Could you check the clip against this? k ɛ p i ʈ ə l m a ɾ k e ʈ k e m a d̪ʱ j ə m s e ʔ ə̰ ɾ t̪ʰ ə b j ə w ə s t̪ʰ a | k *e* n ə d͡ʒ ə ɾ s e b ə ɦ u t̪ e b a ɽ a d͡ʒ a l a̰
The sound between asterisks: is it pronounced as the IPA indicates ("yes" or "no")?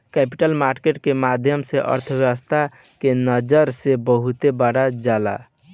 yes